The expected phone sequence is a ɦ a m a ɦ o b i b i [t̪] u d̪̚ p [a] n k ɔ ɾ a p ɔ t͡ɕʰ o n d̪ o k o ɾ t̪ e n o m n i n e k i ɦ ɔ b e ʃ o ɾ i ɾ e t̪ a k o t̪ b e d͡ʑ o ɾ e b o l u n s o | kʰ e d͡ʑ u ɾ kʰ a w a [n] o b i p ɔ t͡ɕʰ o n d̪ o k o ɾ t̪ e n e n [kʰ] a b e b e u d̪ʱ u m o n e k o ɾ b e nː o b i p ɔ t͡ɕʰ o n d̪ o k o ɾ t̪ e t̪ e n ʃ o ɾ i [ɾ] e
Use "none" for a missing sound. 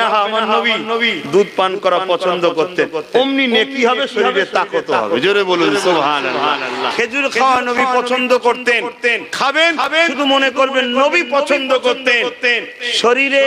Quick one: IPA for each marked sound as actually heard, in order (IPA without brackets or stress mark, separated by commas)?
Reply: d̪, a, n, kʰ, ɾ